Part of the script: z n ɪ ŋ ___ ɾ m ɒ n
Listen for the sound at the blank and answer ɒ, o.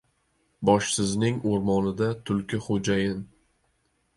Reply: o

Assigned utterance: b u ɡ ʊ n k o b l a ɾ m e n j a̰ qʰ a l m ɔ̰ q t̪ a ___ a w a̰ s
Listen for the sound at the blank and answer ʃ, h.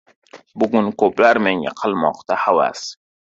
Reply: h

